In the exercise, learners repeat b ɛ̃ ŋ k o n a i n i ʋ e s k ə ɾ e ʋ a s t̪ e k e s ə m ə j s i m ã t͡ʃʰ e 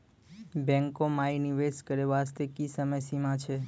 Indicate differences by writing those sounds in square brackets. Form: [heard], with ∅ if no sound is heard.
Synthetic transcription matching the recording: b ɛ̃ ŋ k o [m] a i n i ʋ e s k ə ɾ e ʋ a s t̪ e k [i] s ə m ə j s i m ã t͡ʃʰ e